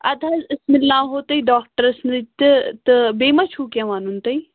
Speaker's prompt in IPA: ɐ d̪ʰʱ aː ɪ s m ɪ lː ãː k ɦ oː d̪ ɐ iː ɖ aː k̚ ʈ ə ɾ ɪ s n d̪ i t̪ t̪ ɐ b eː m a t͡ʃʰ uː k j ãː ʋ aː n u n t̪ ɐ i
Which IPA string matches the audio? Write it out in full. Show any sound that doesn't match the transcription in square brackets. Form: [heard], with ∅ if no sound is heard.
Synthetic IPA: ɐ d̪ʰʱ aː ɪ s m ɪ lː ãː [∅] ɦ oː [t̪] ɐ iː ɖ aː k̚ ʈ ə ɾ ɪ s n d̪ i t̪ t̪ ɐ b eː m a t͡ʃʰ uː k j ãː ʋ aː n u n t̪ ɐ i